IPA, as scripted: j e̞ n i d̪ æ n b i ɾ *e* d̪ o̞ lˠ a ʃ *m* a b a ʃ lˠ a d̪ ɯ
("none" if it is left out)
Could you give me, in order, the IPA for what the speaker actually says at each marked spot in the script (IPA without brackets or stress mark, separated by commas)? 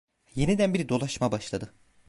i, m